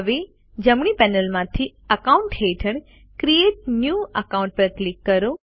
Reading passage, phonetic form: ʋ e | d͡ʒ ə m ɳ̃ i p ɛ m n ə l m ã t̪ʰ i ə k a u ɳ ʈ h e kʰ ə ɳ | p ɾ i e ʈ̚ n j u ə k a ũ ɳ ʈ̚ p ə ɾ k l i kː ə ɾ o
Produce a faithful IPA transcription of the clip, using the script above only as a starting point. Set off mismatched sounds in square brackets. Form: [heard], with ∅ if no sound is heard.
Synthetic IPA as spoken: ʋ e | d͡ʒ ə m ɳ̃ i p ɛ [∅] n ə l m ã t̪ʰ i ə k a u ɳ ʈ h e [ʈʰ] ə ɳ | [k] ɾ i e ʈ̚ n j u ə k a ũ ɳ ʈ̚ p ə ɾ k l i kː ə ɾ o